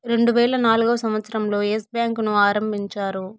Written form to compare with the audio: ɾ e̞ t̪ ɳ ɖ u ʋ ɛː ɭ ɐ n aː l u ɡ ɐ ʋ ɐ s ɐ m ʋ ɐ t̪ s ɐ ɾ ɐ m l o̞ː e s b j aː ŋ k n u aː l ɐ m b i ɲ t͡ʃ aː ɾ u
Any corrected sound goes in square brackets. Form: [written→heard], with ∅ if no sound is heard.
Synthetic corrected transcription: ɾ e̞ [t̪→∅] ɳ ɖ u ʋ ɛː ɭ ɐ n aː l u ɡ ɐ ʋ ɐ s ɐ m ʋ ɐ t̪ s ɐ ɾ ɐ m l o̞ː e s b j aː ŋ k n u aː [l→ɾ] ɐ m b i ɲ t͡ʃ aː ɾ u